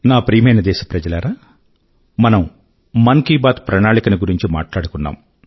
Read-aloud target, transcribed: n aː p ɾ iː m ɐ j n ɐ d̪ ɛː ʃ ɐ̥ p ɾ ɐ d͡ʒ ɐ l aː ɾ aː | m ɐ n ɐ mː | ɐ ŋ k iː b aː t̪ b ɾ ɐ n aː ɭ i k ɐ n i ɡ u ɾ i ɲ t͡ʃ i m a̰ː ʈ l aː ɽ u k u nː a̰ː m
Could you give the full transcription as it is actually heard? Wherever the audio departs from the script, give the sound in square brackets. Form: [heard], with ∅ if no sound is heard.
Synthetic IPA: n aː p ɾ iː m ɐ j n ɐ d̪ ɛː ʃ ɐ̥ p ɾ ɐ d͡ʒ ɐ l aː ɾ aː | m ɐ n ɐ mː | ɐ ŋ k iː b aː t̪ [p] ɾ ɐ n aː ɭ i k ɐ n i ɡ u ɾ i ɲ t͡ʃ i m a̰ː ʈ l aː ɽ u k u nː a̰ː m